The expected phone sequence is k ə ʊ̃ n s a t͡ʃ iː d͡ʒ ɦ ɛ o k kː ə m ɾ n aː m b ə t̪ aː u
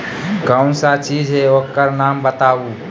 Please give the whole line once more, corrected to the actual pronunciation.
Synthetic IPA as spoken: k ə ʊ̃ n s a t͡ʃ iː d͡ʒ ɦ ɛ o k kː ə ɾ n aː m b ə t̪ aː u